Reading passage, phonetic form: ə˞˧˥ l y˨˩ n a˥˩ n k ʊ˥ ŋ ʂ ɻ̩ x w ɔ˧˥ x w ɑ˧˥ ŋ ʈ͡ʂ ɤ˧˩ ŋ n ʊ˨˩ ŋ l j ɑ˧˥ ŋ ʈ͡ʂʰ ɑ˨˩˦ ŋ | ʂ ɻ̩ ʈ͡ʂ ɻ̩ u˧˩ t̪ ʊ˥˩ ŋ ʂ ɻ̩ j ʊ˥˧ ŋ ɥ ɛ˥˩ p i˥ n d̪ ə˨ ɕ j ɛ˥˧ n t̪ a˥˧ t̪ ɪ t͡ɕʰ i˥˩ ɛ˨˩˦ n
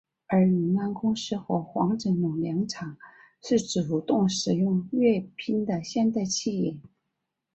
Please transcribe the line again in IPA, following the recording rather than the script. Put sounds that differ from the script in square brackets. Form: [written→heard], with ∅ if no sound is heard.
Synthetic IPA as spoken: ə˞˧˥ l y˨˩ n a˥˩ n k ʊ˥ ŋ ʂ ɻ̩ x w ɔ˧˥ x w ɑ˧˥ ŋ ʈ͡ʂ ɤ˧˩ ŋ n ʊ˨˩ ŋ l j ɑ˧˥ ŋ ʈ͡ʂʰ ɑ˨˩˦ ŋ | ʂ ɻ̩ ʈ͡ʂ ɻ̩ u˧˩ t̪ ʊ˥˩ ŋ ʂ ɻ̩ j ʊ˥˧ ŋ ɥ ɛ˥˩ [p→pʰ] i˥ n d̪ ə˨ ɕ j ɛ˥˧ n t̪ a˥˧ [t̪→∅] ɪ t͡ɕʰ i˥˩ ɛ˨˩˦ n